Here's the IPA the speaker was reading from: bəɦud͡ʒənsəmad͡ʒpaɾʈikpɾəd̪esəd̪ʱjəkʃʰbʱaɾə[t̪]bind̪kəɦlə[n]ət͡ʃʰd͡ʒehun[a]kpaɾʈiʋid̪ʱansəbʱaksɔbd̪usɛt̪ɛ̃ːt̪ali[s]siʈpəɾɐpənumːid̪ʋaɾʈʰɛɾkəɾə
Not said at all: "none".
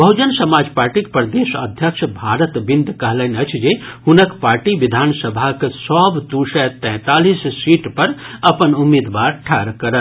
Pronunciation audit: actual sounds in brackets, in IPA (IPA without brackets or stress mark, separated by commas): t̪, n, ə, s